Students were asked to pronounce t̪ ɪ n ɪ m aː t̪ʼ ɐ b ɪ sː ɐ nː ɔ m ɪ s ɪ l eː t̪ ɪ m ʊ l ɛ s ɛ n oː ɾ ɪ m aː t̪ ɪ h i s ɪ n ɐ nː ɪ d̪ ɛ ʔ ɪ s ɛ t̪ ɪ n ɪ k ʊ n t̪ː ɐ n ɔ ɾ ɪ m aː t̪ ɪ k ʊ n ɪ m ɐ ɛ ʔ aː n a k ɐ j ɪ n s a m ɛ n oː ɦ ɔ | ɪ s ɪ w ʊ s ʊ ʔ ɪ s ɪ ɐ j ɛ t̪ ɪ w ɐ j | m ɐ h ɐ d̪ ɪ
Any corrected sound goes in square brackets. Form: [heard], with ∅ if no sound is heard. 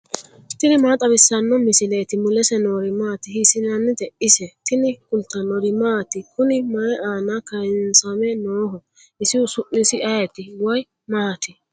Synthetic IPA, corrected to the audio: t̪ ɪ n ɪ m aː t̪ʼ ɐ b ɪ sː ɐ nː ɔ m ɪ s ɪ l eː t̪ ɪ m ʊ l ɛ s ɛ n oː ɾ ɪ m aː t̪ ɪ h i s ɪ n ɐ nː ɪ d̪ ɛ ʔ ɪ s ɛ t̪ ɪ n ɪ k ʊ n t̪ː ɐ n ɔ ɾ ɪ m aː t̪ ɪ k ʊ n ɪ m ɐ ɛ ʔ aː n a k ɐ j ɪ n s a m ɛ n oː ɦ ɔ | ɪ s ɪ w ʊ s ʊ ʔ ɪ s ɪ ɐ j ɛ t̪ ɪ w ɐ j | m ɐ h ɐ [t̪] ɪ